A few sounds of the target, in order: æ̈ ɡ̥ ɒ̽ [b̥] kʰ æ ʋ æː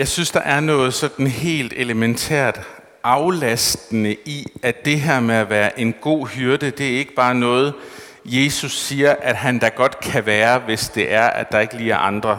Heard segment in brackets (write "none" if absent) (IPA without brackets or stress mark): d̥